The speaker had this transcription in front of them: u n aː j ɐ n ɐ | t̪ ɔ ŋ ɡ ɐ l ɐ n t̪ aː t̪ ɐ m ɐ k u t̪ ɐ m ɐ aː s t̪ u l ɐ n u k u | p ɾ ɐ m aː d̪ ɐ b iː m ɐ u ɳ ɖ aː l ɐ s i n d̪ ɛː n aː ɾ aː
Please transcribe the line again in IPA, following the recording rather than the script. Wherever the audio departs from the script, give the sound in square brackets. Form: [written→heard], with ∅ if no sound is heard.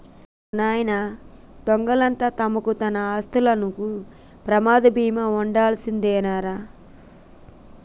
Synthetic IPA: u n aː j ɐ n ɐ | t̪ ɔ ŋ ɡ ɐ l ɐ n t̪ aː t̪ ɐ m ɐ k u t̪ ɐ [m→n] ɐ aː s t̪ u l ɐ n u k u | p ɾ ɐ m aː d̪ ɐ b iː m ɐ u ɳ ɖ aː l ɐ s i n d̪ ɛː n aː ɾ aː

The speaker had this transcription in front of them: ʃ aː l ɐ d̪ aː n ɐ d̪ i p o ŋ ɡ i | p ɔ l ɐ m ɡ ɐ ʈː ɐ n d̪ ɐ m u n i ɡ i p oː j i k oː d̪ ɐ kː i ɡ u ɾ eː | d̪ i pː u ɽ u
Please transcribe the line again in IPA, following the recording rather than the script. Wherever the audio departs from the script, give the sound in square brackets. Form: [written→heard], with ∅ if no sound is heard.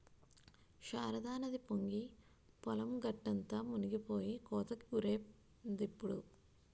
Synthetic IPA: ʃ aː [l→ɾ] ɐ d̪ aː n ɐ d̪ i p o ŋ ɡ i | p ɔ l ɐ m ɡ ɐ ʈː ɐ n [d̪→t̪] ɐ m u n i ɡ i p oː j i k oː [d̪→t̪] ɐ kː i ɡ u ɾ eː | d̪ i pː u ɽ u

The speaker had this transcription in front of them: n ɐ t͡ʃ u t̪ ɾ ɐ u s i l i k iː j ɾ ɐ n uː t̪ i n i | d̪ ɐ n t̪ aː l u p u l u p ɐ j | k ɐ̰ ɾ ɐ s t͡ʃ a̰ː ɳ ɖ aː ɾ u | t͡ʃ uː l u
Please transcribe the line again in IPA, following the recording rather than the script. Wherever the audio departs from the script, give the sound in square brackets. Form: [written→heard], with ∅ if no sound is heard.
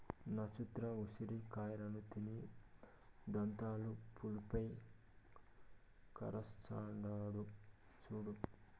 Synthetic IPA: n ɐ t͡ʃ u t̪ ɾ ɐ u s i [l→ɾ] i k [iː→aː] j ɾ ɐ n [uː→u] t̪ i n i | d̪ ɐ n t̪ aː l u p u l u p ɐ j | k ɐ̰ ɾ ɐ s t͡ʃ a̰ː ɳ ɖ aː [ɾ→ɽ] u | t͡ʃ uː [l→ɽ] u

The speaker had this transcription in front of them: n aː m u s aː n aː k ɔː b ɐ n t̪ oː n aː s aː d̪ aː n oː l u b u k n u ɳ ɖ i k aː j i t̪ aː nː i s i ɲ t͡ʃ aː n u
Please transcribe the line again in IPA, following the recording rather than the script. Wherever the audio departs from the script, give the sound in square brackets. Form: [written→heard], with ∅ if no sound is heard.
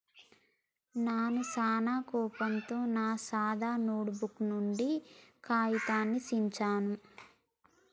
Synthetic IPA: n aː [m→n] u s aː n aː k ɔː [b→p] ɐ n t̪ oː n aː s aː d̪ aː n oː [l→ɽ] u b u k n u ɳ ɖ i k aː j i t̪ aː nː i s i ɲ t͡ʃ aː n u

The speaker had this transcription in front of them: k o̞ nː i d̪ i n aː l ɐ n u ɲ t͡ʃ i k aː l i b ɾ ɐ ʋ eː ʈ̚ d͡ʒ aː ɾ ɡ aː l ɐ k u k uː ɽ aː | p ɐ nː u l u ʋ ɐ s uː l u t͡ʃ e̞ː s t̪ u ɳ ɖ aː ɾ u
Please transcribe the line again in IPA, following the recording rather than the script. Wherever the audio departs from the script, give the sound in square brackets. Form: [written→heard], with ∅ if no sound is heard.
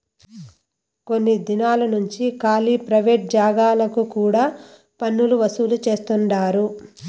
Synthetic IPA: k o̞ nː i d̪ i n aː l ɐ n u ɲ t͡ʃ i k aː l i [b→p] ɾ ɐ ʋ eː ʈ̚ d͡ʒ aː [ɾ→∅] ɡ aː l ɐ k u k uː ɽ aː | p ɐ nː u l u ʋ ɐ s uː l u t͡ʃ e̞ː s t̪ u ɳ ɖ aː ɾ u

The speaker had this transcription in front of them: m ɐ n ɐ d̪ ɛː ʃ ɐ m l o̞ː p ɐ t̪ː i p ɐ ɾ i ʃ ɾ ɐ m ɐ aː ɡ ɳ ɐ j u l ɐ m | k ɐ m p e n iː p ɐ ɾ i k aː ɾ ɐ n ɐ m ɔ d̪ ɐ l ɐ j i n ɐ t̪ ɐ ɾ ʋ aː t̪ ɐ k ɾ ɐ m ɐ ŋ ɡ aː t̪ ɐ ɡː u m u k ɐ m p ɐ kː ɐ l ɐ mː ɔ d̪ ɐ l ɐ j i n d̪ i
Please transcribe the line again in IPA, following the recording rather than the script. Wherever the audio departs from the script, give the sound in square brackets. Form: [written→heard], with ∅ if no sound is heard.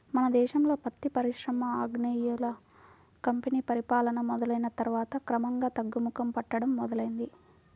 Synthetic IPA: m ɐ n ɐ d̪ ɛː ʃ ɐ m l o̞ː p ɐ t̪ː i p ɐ ɾ i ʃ ɾ ɐ m ɐ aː ɡ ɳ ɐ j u l ɐ [m→∅] | k ɐ m p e n iː p ɐ ɾ i [k→p] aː [ɾ→l] ɐ n ɐ m ɔ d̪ ɐ l ɐ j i n ɐ t̪ ɐ ɾ ʋ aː t̪ ɐ k ɾ ɐ m ɐ ŋ ɡ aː t̪ ɐ ɡː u m u k ɐ m p ɐ [kː→ʈː] ɐ [l→ɽ] ɐ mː ɔ d̪ ɐ l ɐ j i n d̪ i

